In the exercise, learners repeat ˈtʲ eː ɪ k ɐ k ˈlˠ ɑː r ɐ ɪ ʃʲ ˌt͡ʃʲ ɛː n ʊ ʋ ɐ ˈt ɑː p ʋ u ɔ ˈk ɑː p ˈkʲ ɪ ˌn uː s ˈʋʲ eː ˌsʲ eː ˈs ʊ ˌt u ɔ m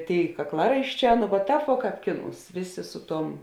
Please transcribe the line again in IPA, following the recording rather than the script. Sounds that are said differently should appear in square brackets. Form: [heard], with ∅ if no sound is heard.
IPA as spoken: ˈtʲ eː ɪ k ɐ k ˈlˠ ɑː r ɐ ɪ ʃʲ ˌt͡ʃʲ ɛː n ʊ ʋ ɐ ˈt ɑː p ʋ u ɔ ˈk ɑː p ˈkʲ ɪ ˌn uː s ˈʋʲ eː ˌsʲ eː ˈs ʊ ˌt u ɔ m